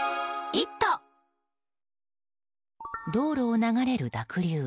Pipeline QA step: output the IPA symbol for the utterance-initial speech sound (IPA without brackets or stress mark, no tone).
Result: i